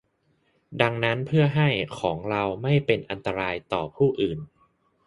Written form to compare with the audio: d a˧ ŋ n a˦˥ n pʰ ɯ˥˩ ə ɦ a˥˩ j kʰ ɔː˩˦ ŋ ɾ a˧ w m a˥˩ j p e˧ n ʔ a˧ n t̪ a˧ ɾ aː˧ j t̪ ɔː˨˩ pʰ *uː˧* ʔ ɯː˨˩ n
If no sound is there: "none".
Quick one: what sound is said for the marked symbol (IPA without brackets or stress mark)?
uː˥˩